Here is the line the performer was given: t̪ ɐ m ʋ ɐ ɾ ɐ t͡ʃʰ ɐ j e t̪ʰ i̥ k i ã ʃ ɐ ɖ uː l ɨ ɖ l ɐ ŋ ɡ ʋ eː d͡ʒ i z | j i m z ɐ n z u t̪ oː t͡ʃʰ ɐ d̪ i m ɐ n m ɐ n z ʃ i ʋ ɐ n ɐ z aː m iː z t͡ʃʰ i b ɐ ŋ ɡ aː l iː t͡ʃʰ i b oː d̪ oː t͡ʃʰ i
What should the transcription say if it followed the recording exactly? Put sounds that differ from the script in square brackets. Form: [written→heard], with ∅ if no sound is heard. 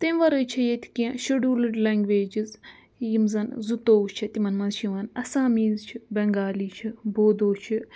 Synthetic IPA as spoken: t̪ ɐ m ʋ ɐ ɾ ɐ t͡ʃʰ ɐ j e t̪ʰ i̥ k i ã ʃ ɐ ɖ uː l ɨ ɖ l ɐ ŋ ɡ ʋ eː d͡ʒ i z | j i m z ɐ n z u t̪ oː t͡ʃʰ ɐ [d̪→t̪] i m ɐ n m ɐ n z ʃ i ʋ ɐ n ɐ [z→s] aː m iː z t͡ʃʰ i b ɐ ŋ ɡ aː l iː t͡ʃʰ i b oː d̪ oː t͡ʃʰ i

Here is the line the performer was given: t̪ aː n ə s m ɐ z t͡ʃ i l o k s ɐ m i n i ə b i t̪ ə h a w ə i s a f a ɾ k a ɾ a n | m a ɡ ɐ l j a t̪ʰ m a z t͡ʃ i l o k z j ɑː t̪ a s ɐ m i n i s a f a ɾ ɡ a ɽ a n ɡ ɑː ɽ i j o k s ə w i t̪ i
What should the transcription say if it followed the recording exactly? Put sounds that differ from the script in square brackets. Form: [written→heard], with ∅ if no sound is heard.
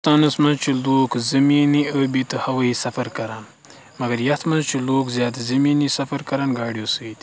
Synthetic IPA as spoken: t̪ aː n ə s m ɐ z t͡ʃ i l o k [s→z] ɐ m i n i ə b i t̪ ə h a w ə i s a f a ɾ k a ɾ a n | m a ɡ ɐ [l→ɾ] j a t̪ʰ m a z t͡ʃ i l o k z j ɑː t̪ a [s→z] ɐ m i n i s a f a ɾ [ɡ→k] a [ɽ→ɾ] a n ɡ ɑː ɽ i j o [k→∅] s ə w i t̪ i

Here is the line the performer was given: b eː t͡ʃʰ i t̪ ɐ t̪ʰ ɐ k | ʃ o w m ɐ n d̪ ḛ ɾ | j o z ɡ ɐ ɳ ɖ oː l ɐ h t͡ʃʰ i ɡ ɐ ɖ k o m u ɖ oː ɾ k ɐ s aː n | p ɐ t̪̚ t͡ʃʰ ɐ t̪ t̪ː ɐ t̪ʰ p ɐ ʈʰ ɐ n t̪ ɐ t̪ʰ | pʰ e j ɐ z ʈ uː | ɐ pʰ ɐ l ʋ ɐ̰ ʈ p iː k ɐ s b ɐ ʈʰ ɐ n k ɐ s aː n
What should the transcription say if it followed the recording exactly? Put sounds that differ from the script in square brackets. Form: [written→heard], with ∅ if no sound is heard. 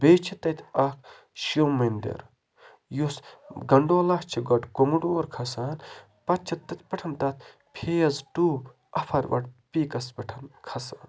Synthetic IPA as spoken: b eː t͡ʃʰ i t̪ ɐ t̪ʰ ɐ k | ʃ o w m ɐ n d̪ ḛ ɾ | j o [z→s] ɡ ɐ ɳ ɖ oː l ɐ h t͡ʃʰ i ɡ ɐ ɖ k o m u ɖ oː ɾ [k→kʰ] ɐ s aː n | p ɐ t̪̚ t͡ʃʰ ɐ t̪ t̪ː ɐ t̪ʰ p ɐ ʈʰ ɐ n t̪ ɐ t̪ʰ | pʰ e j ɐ z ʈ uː | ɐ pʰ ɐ [l→ɾ] ʋ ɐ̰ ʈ p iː k ɐ s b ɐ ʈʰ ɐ n [k→kʰ] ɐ s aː n

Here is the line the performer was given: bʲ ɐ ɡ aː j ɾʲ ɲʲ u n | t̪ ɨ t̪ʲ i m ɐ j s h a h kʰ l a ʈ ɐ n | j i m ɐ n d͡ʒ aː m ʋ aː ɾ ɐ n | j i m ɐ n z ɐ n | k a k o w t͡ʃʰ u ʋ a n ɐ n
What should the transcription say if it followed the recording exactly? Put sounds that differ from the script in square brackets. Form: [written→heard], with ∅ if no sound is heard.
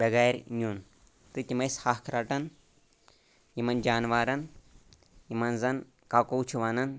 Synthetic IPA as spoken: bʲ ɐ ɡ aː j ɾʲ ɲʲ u n | t̪ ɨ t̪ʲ i m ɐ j s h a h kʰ [l→ɾ] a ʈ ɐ n | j i m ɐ n d͡ʒ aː [m→n] ʋ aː ɾ ɐ n | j i m ɐ n z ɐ n | k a k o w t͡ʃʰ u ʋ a n ɐ n

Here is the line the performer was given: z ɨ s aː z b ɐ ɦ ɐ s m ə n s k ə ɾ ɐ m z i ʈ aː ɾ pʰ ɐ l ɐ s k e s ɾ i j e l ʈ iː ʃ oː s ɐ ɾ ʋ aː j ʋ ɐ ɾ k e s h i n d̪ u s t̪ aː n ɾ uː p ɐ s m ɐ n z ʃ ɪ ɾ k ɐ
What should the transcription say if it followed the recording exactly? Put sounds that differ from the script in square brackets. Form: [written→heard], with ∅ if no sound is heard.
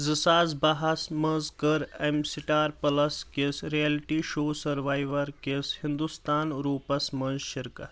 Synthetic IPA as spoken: z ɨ s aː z b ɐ ɦ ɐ s m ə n [s→z] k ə ɾ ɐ m [z→s] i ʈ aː ɾ [pʰ→p] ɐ l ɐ s k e s ɾ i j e l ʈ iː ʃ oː s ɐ ɾ ʋ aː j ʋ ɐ ɾ k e s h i n d̪ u s t̪ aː n ɾ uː p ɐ s m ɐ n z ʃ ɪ ɾ k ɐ

